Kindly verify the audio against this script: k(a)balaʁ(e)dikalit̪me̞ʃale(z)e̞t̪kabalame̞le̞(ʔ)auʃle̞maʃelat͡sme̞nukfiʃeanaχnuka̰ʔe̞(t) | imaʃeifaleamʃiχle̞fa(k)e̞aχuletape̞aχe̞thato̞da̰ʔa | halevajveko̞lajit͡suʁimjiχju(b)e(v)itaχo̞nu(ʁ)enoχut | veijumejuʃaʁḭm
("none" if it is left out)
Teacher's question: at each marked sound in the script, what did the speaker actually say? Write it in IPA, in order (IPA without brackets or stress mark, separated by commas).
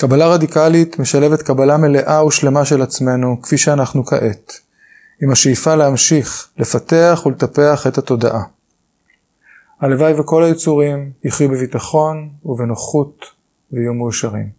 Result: a, a, v, ʔ, t, t, b, v, v